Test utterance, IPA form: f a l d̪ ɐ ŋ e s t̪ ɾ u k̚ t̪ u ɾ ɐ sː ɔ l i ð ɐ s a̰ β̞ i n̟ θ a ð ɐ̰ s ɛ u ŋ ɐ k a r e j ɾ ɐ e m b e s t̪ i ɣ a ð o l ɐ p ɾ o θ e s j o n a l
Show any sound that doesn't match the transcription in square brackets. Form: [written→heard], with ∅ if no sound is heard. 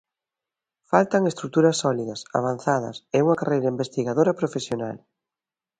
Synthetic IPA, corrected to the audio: f a l [d̪→t̪] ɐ ŋ e s t̪ ɾ u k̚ t̪ u ɾ ɐ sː ɔ l i ð ɐ s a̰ β̞ [i→a] n̟ θ a ð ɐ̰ s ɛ u ŋ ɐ k a r e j ɾ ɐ [e→i] m b e s t̪ i ɣ a ð o [l→ɾ] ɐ p ɾ o [θ→f] e s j o n a l